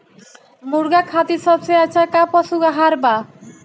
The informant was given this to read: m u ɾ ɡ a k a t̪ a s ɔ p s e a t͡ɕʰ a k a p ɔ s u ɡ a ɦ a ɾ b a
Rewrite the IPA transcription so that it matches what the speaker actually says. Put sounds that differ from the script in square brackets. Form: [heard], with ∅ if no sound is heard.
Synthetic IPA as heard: m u ɾ ɡ a [kʰ] a t̪ [i] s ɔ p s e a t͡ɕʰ a k a p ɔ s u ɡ a ɦ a ɾ b a